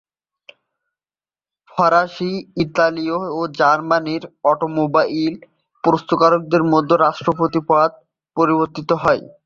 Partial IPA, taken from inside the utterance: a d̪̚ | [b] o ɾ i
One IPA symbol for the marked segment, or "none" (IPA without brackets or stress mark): p